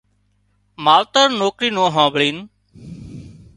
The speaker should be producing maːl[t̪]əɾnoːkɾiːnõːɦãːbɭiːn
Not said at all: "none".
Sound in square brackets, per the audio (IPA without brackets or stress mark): t̪